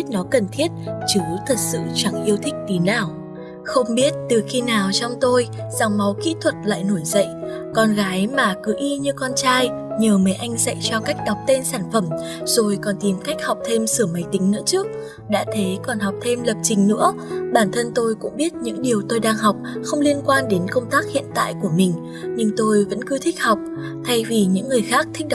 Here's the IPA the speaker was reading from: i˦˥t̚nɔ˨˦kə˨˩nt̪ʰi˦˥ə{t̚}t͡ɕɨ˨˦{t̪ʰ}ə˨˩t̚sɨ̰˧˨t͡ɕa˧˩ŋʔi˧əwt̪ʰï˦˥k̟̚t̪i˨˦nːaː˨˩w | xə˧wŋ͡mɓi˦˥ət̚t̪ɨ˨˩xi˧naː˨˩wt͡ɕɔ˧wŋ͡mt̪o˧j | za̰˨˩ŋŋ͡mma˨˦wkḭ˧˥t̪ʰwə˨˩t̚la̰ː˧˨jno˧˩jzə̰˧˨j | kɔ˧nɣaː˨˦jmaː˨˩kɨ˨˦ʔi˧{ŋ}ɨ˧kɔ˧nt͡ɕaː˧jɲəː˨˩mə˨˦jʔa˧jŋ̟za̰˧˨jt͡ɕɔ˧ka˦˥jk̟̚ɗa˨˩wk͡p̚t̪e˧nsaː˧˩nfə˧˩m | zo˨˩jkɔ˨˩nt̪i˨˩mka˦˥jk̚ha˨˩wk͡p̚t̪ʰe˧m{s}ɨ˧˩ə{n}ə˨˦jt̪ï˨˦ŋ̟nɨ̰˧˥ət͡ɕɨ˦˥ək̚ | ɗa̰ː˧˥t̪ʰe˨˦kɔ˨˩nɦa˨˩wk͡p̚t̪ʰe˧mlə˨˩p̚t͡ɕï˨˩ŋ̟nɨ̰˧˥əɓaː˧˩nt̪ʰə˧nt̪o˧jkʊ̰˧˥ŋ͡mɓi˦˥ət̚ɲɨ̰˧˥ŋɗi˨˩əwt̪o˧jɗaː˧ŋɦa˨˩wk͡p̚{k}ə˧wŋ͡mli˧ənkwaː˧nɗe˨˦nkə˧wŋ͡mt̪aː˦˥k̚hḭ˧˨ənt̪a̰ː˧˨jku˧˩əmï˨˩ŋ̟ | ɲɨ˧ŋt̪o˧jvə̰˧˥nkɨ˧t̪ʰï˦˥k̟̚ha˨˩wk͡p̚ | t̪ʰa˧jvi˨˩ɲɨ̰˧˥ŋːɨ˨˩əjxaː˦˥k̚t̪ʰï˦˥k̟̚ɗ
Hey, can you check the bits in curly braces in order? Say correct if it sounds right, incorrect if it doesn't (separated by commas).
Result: correct, correct, incorrect, correct, incorrect, incorrect